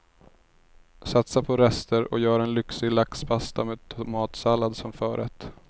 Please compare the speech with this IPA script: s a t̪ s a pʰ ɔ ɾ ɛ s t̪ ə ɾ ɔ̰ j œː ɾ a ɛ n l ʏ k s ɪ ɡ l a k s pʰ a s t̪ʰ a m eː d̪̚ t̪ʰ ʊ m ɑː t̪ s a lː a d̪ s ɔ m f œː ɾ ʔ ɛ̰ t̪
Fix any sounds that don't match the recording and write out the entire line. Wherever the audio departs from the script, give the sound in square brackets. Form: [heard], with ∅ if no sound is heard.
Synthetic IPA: s a t̪ s a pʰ ɔ ɾ ɛ s t̪ ə ɾ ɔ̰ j œː ɾ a ɛ n l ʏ k s ɪ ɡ l a k s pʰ a s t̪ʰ a m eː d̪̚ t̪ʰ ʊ m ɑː t̪ s a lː a d̪ s ɔ m f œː ɾ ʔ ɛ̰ t̪